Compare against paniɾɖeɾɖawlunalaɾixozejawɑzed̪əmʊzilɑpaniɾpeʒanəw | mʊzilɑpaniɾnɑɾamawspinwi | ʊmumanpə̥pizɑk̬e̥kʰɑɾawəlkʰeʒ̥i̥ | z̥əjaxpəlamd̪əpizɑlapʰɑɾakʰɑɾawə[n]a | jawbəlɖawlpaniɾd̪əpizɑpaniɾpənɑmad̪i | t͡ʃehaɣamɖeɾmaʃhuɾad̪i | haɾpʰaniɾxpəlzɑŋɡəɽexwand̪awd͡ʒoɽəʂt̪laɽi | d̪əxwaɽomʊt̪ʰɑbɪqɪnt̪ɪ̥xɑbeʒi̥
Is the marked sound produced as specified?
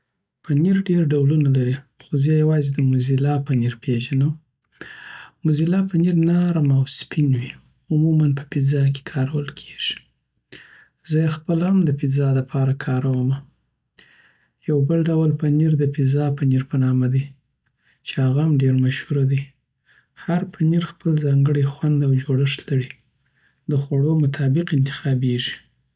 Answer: no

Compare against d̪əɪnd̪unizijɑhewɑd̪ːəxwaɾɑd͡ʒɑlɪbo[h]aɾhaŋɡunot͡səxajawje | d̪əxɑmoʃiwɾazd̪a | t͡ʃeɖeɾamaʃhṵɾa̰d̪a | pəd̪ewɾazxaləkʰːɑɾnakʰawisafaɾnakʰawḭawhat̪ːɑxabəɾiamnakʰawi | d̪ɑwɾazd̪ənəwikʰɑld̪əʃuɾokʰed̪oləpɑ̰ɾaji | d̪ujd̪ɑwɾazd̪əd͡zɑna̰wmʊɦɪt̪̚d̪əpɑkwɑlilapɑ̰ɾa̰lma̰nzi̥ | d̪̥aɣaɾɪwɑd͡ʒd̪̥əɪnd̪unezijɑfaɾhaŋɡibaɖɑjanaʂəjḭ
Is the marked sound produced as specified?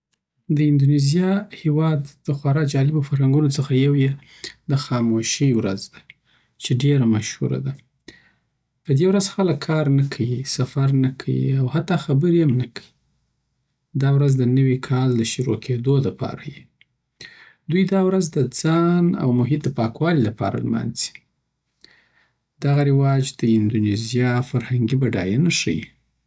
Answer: no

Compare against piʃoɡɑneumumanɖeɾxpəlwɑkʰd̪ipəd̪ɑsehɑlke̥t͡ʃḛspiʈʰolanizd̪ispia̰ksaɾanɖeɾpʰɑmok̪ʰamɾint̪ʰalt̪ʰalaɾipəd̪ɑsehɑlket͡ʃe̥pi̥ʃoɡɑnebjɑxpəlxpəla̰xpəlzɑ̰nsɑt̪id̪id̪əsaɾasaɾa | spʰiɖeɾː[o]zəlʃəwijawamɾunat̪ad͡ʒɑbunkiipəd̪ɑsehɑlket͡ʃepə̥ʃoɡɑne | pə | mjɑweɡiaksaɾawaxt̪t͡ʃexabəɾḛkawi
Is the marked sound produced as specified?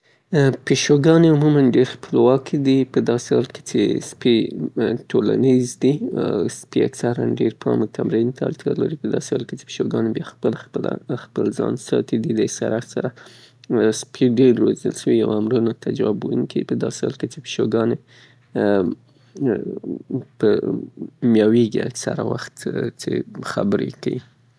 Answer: yes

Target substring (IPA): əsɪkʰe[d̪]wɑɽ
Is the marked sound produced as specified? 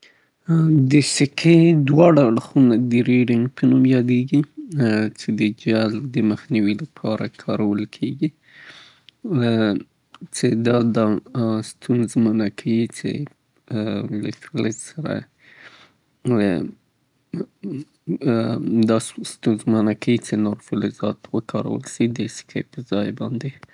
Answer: yes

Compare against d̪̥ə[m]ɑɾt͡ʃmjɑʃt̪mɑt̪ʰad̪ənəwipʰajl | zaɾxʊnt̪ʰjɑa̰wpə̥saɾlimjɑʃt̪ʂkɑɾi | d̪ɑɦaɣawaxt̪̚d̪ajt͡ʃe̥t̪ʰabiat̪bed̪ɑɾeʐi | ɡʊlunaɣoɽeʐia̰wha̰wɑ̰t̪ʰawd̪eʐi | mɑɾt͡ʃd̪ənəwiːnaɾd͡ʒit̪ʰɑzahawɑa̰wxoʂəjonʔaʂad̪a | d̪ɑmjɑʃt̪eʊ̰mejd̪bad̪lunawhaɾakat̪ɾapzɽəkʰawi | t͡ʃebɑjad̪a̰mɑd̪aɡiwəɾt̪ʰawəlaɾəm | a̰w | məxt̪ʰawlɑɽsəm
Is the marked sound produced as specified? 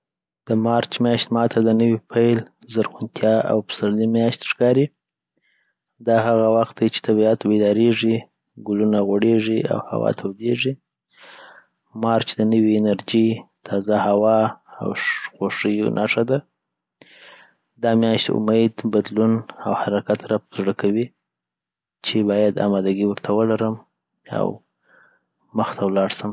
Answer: yes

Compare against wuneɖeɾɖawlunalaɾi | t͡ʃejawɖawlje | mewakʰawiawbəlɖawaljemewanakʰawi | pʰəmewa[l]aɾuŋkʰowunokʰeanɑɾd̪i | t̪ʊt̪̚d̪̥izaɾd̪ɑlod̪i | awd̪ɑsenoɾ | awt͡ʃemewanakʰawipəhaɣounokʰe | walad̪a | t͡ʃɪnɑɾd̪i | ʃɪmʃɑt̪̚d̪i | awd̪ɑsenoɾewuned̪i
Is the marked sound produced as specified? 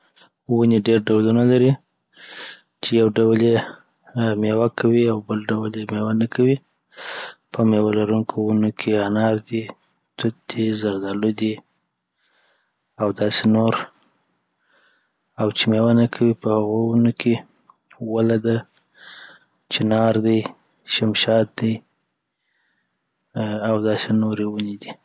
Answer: yes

